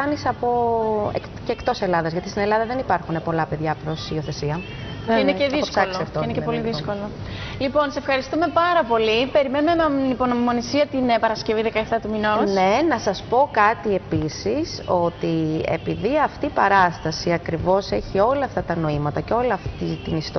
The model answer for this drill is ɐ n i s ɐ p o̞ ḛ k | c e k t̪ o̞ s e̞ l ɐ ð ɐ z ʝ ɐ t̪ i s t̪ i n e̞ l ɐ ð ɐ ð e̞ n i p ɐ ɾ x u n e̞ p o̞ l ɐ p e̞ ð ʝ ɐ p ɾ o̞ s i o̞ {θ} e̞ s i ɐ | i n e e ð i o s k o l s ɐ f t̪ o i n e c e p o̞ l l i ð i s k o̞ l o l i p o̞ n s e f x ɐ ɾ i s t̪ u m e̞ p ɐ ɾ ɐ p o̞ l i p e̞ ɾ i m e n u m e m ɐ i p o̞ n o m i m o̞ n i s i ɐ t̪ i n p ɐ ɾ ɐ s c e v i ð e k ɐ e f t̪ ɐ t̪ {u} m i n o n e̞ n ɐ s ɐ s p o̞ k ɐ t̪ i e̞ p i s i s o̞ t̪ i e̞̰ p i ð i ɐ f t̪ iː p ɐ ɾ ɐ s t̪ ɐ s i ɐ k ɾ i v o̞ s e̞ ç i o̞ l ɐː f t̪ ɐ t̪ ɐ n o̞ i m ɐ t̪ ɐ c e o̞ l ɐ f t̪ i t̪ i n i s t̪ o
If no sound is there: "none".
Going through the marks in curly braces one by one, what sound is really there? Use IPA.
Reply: θ, u

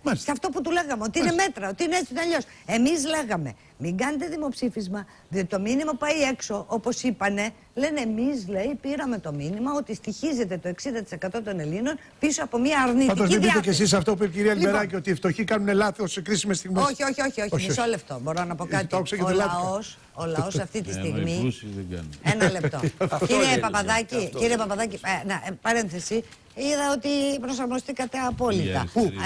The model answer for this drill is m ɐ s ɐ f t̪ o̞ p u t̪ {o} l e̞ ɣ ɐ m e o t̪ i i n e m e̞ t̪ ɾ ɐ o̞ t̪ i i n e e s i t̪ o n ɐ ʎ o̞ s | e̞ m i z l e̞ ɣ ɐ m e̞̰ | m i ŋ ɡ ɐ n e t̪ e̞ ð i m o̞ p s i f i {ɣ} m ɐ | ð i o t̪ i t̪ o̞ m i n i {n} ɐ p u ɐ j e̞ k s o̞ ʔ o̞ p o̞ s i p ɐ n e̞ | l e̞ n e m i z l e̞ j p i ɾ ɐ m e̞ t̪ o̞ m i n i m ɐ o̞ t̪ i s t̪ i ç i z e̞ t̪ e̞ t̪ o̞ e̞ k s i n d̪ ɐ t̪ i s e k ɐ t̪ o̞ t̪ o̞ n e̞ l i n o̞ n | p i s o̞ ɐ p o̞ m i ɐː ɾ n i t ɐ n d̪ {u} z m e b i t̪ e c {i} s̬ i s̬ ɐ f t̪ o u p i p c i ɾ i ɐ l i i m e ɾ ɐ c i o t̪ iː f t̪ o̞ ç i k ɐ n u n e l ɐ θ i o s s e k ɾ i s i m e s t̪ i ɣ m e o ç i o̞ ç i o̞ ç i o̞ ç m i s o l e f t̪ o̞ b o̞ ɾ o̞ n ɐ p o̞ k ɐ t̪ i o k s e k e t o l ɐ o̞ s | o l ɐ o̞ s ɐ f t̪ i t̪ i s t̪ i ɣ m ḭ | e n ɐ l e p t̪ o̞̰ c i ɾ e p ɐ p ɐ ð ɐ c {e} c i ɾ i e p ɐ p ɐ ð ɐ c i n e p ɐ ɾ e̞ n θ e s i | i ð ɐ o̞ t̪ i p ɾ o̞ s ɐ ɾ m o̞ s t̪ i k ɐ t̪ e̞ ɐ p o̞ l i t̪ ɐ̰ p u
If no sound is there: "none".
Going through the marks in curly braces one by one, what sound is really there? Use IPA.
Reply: u, z, m, o, e, i

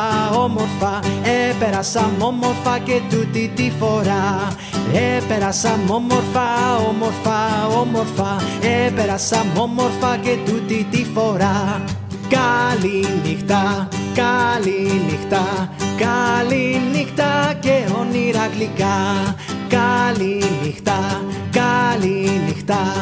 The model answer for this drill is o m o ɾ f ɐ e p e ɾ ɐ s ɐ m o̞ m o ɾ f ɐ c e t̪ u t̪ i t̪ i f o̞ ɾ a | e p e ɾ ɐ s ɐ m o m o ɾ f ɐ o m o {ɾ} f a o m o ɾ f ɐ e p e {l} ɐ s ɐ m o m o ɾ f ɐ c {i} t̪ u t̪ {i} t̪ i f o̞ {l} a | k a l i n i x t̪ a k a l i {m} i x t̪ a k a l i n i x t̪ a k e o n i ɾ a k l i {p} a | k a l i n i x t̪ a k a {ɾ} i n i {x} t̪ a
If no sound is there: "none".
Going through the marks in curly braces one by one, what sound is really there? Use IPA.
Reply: ɾ, ɾ, e, i, ɾ, n, k, l, x

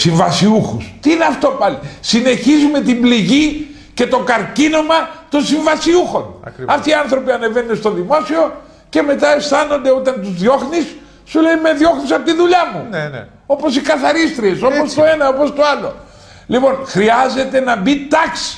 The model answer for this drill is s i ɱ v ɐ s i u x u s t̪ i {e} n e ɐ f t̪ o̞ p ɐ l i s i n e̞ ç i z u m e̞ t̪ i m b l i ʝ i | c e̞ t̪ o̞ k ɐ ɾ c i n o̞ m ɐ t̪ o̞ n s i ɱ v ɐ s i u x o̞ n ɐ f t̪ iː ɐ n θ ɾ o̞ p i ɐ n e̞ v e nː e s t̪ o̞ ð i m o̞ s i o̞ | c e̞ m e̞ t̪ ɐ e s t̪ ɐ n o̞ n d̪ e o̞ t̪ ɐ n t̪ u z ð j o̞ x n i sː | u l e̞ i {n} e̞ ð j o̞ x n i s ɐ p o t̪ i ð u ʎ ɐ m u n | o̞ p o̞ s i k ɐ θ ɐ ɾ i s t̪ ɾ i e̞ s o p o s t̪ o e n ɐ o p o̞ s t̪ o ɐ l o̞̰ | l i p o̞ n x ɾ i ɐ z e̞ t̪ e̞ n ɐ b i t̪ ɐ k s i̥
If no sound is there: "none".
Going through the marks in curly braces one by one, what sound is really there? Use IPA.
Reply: i, m

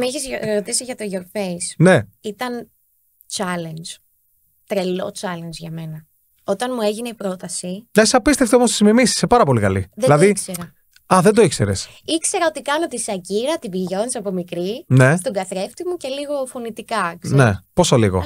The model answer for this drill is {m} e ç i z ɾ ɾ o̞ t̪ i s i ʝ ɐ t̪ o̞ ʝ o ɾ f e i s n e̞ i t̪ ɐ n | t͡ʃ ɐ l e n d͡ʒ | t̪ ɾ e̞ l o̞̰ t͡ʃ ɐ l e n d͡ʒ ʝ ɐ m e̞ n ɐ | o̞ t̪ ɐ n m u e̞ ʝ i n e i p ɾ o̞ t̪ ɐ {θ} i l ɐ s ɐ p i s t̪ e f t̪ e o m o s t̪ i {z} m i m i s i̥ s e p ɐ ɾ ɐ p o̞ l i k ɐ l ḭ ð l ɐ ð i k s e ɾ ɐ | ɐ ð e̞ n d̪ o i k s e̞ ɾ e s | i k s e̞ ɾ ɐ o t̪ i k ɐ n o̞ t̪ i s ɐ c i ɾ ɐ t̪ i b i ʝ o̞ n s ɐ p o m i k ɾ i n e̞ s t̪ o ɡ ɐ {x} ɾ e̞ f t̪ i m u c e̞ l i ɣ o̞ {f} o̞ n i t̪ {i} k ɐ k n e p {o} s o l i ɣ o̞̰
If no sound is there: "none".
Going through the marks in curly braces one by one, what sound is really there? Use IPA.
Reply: m, s, z, θ, f, i, o

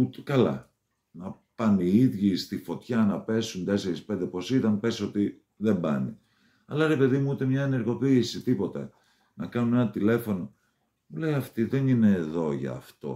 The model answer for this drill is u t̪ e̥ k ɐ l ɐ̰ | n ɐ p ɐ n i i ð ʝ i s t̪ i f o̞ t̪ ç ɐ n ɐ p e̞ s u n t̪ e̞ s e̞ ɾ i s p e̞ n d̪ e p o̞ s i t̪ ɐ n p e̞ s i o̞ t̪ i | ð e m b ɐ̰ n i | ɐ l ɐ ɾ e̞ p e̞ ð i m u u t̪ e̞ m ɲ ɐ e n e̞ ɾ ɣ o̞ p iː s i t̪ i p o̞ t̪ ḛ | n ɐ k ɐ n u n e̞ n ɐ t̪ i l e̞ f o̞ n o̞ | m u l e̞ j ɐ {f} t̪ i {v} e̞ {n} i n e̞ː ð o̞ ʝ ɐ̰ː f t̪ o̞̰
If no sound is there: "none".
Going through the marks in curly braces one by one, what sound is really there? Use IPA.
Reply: f, ð, n

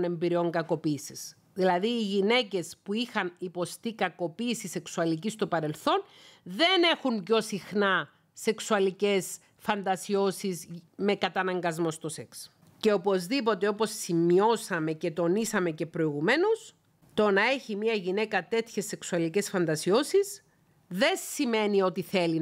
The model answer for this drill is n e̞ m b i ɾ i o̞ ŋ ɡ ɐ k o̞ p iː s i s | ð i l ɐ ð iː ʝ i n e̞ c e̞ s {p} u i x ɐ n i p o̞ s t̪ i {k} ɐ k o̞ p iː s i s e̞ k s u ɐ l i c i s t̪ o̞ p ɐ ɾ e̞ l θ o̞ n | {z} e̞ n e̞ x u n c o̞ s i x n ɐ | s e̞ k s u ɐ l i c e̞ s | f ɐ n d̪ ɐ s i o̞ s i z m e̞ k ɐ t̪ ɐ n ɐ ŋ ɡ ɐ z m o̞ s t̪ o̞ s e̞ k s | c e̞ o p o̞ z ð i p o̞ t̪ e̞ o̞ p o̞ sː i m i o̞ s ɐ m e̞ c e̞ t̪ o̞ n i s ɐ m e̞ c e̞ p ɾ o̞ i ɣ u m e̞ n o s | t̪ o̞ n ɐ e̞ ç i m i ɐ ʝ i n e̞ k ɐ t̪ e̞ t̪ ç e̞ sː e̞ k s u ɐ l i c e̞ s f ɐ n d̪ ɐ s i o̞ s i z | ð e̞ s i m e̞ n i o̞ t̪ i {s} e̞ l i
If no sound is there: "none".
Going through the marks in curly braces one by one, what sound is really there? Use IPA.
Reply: p, k, ð, θ

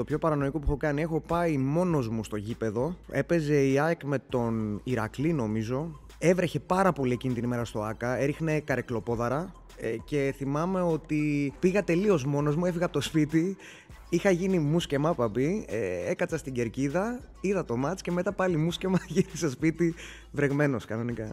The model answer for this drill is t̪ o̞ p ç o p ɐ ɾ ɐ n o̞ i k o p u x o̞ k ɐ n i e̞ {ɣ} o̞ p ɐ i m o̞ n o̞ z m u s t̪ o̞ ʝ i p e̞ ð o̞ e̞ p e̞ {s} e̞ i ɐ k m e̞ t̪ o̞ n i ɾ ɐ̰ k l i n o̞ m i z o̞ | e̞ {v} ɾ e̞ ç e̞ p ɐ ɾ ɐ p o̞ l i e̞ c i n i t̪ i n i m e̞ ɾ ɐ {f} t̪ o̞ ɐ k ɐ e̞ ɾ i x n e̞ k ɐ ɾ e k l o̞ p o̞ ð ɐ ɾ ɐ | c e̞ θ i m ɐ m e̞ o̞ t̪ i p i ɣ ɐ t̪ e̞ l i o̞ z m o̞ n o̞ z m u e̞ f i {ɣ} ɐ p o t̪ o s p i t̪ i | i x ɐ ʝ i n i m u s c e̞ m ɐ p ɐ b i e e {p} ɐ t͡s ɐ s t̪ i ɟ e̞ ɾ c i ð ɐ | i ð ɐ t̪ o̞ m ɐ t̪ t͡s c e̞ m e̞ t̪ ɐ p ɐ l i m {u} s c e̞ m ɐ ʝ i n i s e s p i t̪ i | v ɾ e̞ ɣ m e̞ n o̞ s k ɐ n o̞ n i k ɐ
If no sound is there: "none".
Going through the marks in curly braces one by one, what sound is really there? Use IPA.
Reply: x, z, v, s, ɣ, k, u

